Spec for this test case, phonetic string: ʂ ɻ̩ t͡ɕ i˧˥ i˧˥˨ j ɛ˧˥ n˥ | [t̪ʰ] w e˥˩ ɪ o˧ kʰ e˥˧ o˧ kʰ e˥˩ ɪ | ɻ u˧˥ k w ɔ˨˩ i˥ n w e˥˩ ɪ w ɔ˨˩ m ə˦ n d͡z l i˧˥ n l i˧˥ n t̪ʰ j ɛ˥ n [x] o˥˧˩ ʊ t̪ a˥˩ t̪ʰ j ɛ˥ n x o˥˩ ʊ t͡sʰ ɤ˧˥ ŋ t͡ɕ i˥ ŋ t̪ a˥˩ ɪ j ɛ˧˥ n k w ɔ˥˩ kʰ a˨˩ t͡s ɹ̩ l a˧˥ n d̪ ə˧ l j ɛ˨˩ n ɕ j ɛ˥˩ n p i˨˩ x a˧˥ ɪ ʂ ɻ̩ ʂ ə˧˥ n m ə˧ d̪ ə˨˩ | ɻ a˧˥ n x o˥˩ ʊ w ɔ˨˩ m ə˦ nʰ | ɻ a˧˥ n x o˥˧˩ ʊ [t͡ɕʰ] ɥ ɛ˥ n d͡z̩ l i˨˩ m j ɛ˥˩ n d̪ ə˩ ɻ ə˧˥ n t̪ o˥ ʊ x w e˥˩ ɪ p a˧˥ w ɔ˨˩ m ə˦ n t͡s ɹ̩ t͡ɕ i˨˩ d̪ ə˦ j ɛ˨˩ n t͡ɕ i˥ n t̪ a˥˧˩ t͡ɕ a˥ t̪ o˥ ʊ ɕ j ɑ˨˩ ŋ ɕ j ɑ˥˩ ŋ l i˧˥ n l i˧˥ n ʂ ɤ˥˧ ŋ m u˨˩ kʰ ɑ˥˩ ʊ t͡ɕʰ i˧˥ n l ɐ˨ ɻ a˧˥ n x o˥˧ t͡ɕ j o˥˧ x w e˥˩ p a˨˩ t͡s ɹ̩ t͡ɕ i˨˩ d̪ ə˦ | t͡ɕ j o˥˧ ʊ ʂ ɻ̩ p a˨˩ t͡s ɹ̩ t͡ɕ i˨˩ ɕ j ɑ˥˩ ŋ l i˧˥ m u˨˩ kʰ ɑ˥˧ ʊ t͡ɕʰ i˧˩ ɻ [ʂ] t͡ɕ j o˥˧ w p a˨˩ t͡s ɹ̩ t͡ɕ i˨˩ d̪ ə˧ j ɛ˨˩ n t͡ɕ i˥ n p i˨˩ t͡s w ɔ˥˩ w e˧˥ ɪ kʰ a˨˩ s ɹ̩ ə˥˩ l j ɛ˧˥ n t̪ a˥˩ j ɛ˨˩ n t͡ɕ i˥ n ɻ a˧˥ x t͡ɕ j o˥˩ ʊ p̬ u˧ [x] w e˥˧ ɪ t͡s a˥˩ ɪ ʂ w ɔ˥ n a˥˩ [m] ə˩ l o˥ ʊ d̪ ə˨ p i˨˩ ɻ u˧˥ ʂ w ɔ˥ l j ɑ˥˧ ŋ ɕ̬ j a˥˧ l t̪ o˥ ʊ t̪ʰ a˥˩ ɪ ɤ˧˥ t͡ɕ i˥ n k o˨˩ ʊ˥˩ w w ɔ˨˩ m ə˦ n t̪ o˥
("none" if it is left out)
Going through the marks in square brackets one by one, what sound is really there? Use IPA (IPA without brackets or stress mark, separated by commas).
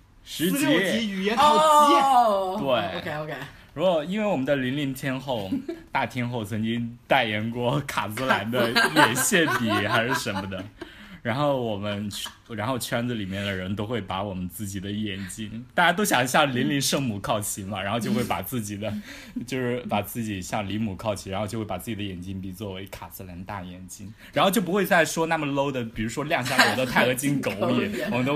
t̪, x, t͡ɕʰ, x, x, m